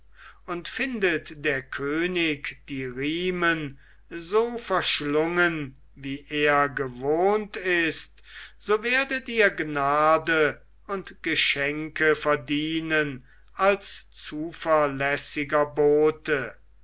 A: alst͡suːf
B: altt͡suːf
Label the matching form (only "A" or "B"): A